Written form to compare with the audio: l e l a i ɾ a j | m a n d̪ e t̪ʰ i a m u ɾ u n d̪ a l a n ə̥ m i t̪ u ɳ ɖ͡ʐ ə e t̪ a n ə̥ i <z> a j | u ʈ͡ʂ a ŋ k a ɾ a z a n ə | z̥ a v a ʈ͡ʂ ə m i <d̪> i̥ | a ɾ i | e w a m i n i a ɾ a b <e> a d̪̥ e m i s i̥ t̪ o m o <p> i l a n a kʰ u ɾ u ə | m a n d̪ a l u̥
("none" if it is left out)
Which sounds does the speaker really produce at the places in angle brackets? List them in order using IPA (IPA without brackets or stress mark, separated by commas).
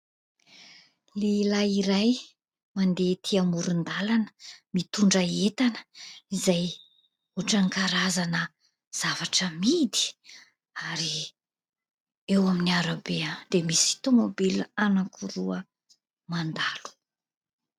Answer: z, d̪, e, b